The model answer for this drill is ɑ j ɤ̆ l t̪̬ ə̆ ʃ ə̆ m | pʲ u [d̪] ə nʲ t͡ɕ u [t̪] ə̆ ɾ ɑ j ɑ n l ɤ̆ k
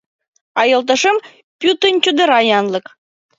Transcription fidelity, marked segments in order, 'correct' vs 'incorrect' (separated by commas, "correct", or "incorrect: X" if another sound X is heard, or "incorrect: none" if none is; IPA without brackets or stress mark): incorrect: t̪, incorrect: d̪